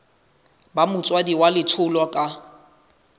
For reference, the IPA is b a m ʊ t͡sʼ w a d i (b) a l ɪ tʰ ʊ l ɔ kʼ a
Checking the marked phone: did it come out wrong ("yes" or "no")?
yes